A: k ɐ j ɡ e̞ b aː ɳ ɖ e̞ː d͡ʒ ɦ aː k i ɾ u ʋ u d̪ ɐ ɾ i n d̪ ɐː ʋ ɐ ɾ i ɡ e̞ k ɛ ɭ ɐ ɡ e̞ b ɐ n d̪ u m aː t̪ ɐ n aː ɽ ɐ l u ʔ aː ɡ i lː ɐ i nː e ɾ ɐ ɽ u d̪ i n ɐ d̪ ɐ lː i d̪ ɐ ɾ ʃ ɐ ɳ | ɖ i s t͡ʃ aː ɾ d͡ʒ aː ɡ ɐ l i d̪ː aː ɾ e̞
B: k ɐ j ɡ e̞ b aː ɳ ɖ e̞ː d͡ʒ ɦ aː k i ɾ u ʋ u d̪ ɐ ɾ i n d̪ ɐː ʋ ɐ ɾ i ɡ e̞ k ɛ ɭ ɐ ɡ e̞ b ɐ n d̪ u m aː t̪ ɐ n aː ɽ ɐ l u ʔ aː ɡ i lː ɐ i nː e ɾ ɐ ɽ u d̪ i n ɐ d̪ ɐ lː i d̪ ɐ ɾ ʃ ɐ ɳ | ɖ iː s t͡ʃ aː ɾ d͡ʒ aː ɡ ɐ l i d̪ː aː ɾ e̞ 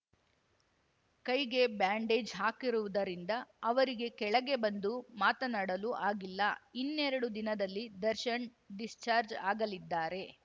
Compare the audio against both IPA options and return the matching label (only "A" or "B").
A